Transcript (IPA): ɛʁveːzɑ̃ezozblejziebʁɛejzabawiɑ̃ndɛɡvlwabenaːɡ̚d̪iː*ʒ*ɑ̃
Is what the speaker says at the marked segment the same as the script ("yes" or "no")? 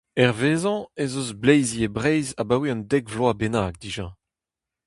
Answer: yes